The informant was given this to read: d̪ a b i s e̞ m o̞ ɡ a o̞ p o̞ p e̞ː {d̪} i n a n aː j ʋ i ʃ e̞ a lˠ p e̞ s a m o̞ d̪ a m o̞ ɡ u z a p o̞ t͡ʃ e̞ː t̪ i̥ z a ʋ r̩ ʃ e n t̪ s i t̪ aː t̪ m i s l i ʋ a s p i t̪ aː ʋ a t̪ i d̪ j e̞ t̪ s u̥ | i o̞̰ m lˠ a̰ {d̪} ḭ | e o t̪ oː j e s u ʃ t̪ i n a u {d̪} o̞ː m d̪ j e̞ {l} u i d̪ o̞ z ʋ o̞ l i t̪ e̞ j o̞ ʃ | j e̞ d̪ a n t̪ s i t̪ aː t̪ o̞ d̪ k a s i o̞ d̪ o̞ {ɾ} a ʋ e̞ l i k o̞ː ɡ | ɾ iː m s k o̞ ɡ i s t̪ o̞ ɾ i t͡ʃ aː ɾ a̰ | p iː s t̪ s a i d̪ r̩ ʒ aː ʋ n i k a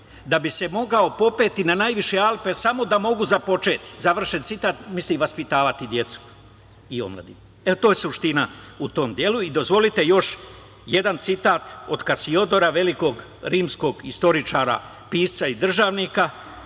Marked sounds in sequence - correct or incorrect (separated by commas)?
incorrect, correct, incorrect, correct, correct